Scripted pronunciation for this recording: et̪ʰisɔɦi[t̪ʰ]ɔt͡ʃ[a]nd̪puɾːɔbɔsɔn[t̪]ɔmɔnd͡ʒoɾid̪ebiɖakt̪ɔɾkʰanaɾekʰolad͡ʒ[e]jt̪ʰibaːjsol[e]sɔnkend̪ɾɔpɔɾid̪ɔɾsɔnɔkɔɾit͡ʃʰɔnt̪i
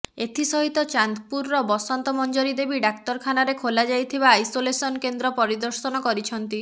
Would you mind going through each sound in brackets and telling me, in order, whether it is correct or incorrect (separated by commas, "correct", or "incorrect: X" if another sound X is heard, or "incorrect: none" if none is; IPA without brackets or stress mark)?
incorrect: t̪, correct, correct, incorrect: a, correct